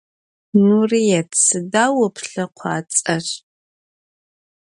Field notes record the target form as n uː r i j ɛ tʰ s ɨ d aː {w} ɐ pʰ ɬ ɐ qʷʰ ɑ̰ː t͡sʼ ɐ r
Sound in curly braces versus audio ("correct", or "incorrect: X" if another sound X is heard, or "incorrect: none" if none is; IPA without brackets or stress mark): correct